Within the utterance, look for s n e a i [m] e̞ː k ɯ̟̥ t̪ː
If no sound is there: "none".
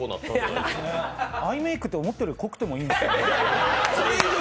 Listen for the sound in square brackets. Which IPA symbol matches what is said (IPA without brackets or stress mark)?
m